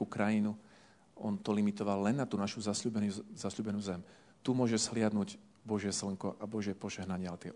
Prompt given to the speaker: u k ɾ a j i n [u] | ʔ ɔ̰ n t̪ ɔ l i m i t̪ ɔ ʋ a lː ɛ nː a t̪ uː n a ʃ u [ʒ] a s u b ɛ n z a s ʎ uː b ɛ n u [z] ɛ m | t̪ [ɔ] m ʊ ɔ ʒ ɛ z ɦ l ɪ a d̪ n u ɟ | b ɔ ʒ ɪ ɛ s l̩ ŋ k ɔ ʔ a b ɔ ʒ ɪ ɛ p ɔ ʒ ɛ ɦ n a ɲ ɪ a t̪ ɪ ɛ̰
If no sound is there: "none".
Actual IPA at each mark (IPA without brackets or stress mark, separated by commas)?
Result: u, z, z, u